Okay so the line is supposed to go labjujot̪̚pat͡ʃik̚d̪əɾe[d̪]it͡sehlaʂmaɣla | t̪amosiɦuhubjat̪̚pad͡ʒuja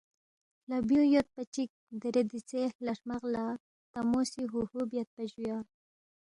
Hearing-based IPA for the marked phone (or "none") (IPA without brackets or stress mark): d̪